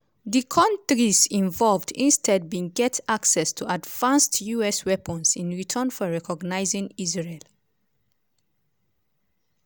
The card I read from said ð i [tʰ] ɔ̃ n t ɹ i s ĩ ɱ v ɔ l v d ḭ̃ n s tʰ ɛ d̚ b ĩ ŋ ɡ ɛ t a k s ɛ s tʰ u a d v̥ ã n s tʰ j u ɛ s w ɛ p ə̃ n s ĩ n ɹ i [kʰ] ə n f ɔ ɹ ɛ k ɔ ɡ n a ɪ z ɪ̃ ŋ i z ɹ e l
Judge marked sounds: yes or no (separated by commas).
no, no